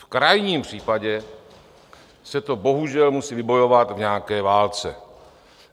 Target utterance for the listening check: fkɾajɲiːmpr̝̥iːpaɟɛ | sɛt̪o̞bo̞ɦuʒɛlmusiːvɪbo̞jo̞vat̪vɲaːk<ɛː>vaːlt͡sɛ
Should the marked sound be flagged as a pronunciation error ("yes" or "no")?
no